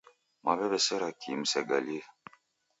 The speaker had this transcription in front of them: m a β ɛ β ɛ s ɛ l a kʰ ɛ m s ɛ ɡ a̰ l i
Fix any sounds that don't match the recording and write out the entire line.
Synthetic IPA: m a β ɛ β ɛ s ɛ ɾ a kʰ i m s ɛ ɡ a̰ l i